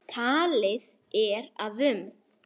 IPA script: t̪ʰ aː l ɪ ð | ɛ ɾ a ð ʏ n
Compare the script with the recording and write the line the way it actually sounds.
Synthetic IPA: t̪ʰ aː l ɪ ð | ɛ ɾ a ð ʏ m